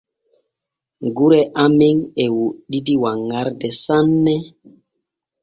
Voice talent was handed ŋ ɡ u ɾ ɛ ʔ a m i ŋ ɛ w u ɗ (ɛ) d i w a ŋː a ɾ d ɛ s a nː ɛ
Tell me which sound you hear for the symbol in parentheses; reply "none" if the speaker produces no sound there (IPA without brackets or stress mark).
i